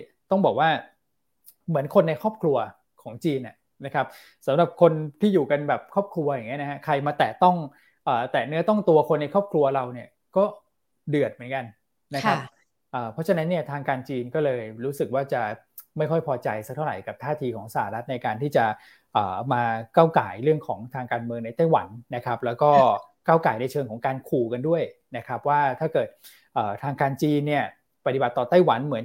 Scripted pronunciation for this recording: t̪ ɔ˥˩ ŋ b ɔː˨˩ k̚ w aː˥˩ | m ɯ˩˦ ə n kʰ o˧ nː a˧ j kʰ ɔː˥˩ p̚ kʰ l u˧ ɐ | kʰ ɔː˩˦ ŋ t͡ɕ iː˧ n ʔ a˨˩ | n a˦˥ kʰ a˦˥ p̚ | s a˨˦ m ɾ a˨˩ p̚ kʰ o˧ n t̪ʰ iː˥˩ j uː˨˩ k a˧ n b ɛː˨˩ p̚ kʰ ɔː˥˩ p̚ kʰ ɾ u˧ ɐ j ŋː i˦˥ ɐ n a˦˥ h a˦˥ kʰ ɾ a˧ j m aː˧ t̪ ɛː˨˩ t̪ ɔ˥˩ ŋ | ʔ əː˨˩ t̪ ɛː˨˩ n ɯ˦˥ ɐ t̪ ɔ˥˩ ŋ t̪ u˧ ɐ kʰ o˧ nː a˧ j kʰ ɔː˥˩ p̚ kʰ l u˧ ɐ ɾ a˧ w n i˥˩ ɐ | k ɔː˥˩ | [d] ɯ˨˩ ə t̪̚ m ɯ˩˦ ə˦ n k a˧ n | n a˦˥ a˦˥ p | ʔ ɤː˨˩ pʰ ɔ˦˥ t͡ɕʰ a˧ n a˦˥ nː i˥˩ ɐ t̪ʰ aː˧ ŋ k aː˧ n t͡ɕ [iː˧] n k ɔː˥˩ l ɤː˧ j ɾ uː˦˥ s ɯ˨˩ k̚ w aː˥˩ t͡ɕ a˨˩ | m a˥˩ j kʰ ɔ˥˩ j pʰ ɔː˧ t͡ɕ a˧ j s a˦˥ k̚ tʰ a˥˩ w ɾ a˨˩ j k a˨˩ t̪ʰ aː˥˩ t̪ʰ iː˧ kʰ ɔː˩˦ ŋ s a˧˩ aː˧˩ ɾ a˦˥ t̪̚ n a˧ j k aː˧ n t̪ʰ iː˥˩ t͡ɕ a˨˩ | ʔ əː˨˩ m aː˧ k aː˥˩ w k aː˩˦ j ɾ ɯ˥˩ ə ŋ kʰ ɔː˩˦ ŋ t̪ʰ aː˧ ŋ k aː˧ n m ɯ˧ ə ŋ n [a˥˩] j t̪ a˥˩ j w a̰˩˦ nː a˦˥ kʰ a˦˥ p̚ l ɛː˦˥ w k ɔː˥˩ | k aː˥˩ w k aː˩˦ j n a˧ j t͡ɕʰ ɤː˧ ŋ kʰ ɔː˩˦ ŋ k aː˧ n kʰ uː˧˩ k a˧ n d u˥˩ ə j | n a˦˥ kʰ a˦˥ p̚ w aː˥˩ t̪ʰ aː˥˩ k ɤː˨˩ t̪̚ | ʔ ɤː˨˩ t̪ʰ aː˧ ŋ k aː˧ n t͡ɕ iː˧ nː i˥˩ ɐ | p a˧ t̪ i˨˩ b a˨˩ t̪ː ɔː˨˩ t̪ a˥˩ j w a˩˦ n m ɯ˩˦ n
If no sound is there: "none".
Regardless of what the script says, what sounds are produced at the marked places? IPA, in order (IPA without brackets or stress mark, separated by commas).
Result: d, iː˧, a˧